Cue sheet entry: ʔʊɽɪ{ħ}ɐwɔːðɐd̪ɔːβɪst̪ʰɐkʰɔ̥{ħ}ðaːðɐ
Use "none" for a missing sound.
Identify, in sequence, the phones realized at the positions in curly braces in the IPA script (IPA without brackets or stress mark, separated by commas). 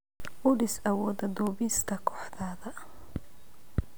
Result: s, ħ